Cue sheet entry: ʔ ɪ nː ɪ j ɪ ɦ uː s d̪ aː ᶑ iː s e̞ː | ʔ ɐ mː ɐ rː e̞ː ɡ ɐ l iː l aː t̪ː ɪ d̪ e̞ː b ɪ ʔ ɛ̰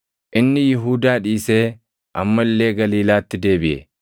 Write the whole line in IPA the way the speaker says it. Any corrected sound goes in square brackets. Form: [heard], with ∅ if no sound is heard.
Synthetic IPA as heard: ʔ ɪ nː ɪ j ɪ ɦ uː [∅] d̪ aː ᶑ iː s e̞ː | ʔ ɐ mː ɐ [lː] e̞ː ɡ ɐ l iː l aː t̪ː ɪ d̪ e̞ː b ɪ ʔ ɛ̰